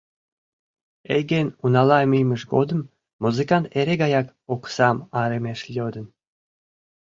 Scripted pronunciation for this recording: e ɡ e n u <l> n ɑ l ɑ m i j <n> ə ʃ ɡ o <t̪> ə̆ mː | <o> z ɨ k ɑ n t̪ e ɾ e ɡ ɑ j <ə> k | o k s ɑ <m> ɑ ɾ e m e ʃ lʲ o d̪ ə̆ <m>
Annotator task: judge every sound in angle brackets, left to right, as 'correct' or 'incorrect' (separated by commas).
incorrect, incorrect, incorrect, incorrect, incorrect, correct, incorrect